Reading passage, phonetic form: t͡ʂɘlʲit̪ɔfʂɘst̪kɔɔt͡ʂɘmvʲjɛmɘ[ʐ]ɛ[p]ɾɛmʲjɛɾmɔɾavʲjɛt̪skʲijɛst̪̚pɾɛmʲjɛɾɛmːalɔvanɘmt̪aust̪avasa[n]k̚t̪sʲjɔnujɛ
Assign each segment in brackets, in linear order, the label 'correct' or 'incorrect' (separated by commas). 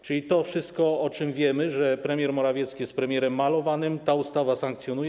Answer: correct, correct, incorrect